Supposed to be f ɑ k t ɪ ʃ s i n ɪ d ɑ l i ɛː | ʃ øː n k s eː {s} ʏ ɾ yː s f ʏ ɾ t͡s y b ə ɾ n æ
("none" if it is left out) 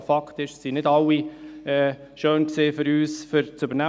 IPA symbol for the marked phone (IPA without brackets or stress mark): f